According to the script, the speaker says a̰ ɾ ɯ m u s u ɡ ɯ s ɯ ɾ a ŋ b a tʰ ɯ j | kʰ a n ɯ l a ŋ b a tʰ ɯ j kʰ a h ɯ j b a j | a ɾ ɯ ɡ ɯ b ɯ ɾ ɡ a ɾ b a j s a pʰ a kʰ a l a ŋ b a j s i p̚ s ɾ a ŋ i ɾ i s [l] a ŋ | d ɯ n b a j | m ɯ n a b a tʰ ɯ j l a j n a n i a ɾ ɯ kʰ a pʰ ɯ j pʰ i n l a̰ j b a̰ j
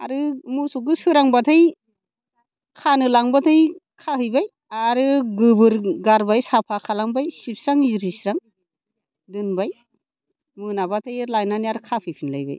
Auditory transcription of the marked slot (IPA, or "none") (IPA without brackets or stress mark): ɾ